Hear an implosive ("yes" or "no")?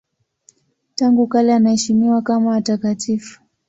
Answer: no